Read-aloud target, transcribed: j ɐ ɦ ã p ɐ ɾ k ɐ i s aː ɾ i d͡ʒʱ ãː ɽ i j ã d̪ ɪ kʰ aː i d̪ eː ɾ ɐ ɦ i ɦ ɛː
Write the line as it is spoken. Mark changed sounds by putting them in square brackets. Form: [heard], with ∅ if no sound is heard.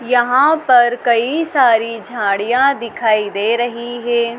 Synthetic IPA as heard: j ɐ ɦ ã p ɐ ɾ k ɐ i s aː ɾ i d͡ʒʱ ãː ɽ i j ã d̪ ɪ kʰ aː i d̪ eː ɾ ɐ ɦ i ɦ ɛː